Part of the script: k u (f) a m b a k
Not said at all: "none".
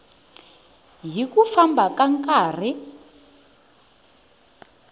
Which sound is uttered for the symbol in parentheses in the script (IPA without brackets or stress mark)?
f